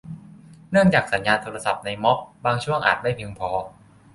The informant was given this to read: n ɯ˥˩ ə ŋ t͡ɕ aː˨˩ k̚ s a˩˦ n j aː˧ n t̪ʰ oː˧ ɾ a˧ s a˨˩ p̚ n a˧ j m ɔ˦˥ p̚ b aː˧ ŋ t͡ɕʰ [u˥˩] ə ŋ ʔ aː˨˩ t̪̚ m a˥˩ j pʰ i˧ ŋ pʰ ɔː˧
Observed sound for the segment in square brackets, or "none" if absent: u˥˩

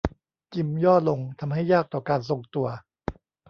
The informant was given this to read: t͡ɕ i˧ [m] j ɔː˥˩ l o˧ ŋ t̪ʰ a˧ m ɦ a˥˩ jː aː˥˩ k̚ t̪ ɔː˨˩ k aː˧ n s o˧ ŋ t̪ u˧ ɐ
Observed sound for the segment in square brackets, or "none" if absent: m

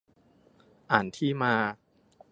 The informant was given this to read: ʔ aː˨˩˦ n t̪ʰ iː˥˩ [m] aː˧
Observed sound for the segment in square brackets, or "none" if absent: m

